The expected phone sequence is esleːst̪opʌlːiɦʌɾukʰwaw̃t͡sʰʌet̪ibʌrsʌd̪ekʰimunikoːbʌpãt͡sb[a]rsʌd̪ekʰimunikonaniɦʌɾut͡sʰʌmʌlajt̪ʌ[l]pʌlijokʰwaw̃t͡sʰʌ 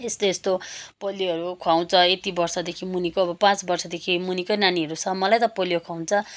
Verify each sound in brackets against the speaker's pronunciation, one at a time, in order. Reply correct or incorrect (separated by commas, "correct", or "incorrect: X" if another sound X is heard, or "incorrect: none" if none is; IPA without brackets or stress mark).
incorrect: ʌ, incorrect: none